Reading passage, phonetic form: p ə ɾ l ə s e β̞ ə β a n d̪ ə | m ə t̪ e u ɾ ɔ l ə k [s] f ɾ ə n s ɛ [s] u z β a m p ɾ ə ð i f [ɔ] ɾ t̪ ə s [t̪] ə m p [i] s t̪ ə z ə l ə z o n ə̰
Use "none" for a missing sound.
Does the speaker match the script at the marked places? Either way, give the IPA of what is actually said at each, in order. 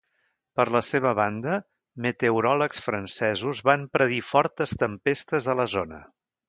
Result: s, z, ɔ, t̪, e

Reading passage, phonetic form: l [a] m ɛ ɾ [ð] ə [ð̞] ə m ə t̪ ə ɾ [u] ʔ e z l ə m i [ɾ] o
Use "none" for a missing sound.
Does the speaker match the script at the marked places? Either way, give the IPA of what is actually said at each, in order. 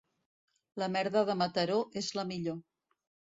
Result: ə, ð, ð̞, o, ʎ

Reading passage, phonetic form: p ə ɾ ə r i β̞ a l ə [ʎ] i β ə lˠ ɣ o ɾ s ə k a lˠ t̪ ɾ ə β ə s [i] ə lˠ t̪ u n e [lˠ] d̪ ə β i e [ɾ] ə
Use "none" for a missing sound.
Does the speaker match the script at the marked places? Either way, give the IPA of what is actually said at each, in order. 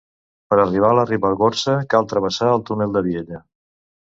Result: r, a, lˠ, ʎ

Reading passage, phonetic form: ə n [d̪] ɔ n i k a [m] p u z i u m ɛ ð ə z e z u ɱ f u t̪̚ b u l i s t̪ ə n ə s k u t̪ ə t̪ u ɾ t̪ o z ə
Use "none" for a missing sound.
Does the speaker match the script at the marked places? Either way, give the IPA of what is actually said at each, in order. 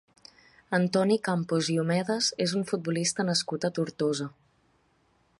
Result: t̪, m

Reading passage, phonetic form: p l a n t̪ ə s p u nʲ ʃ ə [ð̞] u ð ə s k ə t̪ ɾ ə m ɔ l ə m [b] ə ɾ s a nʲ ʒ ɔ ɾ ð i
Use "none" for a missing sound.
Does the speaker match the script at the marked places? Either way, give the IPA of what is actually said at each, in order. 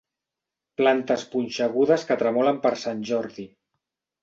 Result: ɣ̞, p

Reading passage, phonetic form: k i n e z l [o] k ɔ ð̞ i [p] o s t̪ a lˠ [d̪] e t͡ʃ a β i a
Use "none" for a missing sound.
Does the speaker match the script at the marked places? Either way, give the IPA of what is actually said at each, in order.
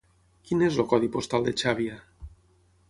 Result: o, p, d̪

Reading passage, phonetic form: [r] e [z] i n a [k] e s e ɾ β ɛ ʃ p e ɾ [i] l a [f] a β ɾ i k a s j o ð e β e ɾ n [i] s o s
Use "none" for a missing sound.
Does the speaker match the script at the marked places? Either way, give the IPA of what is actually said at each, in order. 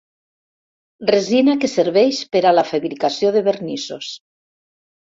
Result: r, z, k, a, f, i

